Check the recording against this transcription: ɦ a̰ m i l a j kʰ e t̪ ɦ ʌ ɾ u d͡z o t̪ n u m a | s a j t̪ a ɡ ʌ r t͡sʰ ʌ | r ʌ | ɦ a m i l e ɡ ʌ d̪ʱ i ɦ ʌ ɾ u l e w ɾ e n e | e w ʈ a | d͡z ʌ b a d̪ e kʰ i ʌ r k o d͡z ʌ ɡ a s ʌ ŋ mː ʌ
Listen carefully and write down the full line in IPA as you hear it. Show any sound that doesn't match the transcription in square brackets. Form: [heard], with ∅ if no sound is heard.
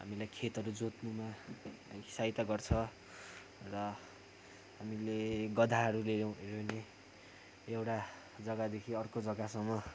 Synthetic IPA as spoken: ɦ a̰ m i l a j kʰ e t̪ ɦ ʌ ɾ u d͡z o t̪ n u m a | s a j t̪ a ɡ ʌ r t͡sʰ ʌ | r ʌ | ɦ a m i l e ɡ ʌ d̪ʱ [a] ɦ ʌ ɾ u l e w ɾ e n e | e w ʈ a | d͡z ʌ [ɡ] a d̪ e kʰ i ʌ r k o d͡z ʌ ɡ a s ʌ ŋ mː ʌ